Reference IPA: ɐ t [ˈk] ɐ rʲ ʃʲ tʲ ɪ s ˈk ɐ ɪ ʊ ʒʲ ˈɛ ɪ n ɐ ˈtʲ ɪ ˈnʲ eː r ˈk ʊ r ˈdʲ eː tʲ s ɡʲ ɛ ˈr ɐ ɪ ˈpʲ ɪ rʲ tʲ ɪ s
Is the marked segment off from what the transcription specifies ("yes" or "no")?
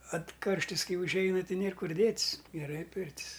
no